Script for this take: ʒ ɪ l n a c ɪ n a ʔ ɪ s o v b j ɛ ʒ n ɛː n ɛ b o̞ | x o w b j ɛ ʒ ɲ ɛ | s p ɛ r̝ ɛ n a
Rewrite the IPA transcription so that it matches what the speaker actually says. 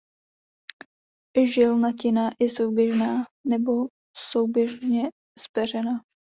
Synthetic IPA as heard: ʒ ɪ l n a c ɪ n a ʔ ɪ s o w b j ɛ ʒ n aː n ɛ b o̞ | s o w b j ɛ ʒ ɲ ɛ | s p ɛ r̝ ɛ n a